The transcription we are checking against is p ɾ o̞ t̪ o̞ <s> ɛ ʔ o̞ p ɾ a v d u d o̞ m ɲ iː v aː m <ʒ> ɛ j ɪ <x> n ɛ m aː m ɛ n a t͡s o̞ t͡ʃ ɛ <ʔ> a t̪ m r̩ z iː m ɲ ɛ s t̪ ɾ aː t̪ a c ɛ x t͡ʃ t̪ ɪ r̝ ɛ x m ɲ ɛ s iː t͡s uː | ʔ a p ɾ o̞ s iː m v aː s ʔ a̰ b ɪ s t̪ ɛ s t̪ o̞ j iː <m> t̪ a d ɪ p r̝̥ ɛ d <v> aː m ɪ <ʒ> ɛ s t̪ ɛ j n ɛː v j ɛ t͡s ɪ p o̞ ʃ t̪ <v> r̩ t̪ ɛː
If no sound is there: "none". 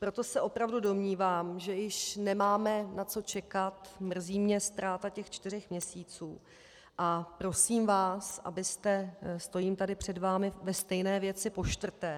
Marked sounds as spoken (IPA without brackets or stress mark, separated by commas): s, ʒ, ʃ, k, m, v, v, v